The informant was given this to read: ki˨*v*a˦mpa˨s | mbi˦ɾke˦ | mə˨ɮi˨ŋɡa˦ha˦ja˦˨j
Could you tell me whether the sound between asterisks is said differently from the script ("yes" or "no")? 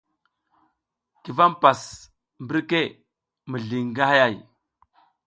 no